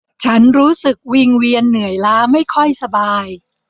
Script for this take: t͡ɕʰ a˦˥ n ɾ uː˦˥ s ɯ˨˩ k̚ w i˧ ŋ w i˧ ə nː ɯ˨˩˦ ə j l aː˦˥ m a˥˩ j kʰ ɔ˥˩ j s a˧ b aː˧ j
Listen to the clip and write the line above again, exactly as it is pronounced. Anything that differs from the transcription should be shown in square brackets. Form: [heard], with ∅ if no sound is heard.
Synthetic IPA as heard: t͡ɕʰ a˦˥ n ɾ uː˦˥ s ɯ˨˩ k̚ w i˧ ŋ w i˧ ə nː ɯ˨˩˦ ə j l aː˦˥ m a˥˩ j kʰ ɔ˥˩ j s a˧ b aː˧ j